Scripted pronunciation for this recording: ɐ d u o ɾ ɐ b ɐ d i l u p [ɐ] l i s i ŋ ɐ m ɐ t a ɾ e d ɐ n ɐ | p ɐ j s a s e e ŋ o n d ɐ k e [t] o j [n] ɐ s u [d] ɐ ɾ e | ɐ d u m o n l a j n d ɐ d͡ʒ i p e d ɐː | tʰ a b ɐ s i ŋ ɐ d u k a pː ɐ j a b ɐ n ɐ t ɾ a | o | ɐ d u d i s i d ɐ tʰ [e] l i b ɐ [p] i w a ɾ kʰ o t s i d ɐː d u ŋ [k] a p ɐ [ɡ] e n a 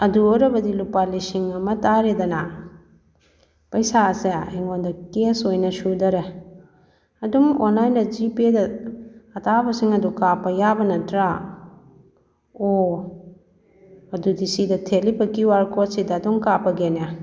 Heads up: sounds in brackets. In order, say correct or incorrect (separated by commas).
incorrect, incorrect, correct, correct, correct, incorrect, correct, correct